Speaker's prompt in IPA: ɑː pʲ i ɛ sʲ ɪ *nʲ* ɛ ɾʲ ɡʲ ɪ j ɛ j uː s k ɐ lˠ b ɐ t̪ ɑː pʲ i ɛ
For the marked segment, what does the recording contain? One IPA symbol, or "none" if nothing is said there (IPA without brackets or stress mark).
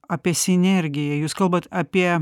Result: nʲ